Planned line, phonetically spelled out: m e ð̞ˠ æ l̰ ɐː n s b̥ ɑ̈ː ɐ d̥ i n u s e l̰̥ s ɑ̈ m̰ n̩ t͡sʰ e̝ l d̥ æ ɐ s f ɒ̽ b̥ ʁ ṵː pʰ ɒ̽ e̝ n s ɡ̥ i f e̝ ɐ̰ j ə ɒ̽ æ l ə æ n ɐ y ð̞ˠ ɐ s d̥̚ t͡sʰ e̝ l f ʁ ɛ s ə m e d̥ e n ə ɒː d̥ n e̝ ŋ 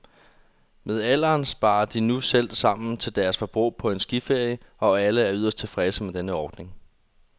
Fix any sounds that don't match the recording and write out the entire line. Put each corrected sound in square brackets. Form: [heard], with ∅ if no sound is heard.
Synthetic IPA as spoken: m e ð̞ˠ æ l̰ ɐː n s b̥ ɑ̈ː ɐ d̥ i n u s e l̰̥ s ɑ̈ m̰ n̩ t͡sʰ e̝ l d̥ æ ɐ s f ɒ̽ b̥ ʁ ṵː pʰ ɒ̽ e̝ n s ɡ̥ i f e̝ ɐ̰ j ə ɒ̽ æ l ə æ [∅] ɐ y ð̞ˠ ɐ s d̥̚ t͡sʰ e̝ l f ʁ ɛ s ə m e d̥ e n ə ɒː d̥ n e̝ ŋ